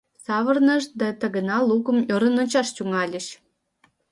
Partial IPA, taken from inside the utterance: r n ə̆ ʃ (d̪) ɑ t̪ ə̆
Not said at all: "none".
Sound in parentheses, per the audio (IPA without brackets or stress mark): d̪